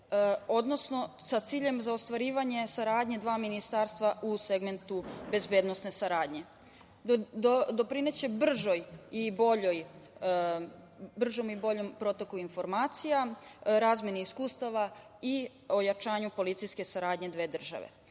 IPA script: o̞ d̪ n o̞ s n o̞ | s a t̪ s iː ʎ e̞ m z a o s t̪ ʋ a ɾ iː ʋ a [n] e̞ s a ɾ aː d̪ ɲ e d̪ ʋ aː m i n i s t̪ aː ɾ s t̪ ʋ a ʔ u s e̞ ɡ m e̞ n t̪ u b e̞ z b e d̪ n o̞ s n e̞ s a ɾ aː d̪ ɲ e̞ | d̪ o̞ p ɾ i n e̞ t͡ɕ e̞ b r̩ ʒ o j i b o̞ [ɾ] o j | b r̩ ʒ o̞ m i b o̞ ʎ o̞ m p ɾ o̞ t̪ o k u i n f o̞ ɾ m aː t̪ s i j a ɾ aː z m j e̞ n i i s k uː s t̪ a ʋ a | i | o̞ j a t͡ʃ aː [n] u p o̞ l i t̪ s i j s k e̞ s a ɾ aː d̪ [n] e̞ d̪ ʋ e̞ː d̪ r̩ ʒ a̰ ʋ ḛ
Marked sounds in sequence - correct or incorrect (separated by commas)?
incorrect, incorrect, incorrect, incorrect